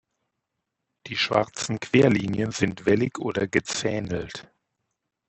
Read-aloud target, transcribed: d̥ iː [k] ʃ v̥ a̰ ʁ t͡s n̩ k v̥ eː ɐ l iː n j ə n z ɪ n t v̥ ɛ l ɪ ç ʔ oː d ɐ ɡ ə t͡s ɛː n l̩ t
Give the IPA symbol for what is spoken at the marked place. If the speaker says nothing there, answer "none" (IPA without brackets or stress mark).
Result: none